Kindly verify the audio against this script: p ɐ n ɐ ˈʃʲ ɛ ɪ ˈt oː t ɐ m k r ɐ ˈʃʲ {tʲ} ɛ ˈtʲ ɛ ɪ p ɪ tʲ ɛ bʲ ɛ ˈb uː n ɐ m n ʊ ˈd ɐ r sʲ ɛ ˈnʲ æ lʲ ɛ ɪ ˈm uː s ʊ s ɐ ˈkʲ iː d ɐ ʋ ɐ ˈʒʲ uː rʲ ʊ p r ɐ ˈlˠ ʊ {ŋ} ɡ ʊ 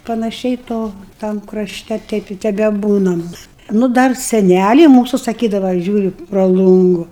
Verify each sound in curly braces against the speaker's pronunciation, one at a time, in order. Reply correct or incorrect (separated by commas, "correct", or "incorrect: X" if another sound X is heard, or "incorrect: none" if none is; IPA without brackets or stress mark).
correct, correct